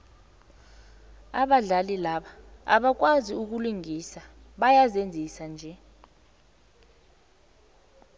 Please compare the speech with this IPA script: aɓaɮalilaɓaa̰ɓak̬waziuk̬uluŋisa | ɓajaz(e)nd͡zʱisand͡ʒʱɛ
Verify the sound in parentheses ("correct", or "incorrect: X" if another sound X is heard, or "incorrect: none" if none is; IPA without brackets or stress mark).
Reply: correct